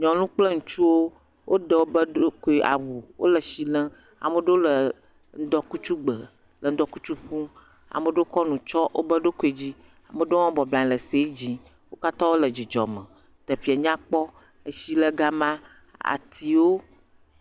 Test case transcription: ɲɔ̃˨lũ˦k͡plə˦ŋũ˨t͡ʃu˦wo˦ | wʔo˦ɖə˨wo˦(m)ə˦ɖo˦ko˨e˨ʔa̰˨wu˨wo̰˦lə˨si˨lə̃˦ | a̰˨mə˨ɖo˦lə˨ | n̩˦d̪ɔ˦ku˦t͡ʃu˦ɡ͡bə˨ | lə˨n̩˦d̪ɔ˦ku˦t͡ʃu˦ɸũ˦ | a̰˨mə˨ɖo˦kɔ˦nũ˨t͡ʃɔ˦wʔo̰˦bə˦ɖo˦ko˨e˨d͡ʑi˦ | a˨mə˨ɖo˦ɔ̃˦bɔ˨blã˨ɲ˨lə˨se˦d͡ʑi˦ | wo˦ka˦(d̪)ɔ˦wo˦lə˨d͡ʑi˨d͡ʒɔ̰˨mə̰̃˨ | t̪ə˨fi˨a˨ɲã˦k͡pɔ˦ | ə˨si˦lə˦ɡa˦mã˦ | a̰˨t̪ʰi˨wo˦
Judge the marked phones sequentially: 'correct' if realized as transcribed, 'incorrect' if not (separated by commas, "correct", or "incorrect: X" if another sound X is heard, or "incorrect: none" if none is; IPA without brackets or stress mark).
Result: incorrect: b, incorrect: t̪